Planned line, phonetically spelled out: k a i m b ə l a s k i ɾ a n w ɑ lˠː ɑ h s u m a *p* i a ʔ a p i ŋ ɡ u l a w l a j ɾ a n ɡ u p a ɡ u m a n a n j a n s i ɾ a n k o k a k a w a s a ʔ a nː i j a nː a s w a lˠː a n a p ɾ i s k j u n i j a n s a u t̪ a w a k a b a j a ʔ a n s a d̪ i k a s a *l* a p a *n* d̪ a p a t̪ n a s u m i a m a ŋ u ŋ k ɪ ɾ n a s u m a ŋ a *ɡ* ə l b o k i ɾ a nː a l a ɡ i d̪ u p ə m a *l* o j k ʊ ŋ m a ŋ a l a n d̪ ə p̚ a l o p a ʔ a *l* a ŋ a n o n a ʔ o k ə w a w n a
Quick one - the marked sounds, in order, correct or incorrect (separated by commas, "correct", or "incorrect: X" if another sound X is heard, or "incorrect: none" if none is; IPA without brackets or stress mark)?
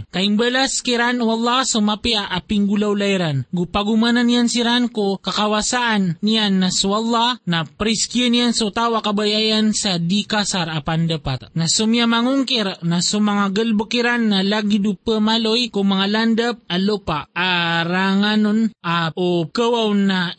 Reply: correct, incorrect: ɾ, correct, correct, correct, incorrect: ɾ